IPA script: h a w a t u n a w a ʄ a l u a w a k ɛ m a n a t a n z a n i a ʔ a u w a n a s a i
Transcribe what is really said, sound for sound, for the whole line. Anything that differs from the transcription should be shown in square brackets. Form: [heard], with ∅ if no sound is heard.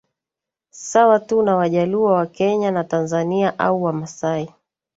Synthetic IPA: [s] a w a t u n a w a ʄ a l u a w a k ɛ [ɲ] a n a t a n z a n i a ʔ a u w a [m] a s a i